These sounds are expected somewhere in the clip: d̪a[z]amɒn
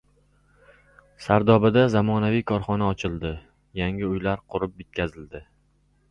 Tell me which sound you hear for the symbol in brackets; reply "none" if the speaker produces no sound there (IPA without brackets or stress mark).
z